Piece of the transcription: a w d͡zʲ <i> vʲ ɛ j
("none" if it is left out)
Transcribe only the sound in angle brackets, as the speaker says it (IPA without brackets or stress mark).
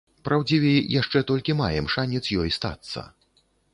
i